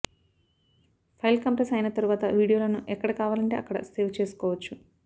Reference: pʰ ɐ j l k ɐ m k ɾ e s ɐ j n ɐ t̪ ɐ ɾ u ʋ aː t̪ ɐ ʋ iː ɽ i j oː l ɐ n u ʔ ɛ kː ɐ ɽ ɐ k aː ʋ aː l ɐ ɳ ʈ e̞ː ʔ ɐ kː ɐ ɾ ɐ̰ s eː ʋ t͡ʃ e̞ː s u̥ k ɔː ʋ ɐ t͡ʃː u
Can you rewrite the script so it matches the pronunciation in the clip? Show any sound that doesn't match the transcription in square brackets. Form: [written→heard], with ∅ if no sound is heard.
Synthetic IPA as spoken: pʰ ɐ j l k ɐ m [k→p] ɾ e s ɐ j n ɐ t̪ ɐ ɾ u ʋ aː t̪ ɐ ʋ iː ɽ i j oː l ɐ n u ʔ ɛ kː ɐ ɽ ɐ k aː ʋ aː l ɐ ɳ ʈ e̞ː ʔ ɐ kː ɐ [ɾ→ɽ] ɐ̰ s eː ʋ t͡ʃ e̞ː s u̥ k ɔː ʋ ɐ t͡ʃː u